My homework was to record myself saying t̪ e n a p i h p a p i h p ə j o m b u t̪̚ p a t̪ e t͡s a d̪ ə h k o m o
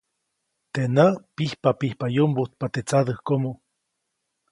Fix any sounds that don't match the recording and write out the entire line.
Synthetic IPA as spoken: t̪ e n a p i h p a p i h p a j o m b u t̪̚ p a t̪ e t͡s a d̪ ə h k o m o